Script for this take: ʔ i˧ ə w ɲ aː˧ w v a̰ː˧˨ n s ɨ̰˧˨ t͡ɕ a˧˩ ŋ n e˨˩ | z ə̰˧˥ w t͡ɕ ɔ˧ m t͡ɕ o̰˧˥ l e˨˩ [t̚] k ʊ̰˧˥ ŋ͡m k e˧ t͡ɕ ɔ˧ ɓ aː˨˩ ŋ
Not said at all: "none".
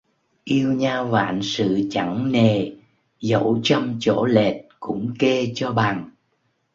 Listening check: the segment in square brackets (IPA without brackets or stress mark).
t̚